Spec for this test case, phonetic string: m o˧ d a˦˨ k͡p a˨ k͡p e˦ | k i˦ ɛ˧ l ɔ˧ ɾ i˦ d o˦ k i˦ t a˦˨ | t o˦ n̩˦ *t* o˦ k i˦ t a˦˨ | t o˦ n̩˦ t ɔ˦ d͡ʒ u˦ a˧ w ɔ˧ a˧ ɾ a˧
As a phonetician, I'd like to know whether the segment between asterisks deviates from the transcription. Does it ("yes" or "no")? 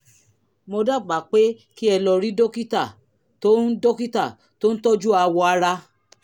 yes